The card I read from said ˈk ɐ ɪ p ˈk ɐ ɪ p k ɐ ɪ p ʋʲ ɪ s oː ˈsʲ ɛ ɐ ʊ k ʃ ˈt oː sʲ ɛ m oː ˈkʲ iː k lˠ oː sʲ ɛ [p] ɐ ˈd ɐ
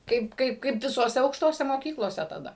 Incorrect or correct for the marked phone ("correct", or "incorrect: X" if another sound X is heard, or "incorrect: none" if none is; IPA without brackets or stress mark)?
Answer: incorrect: t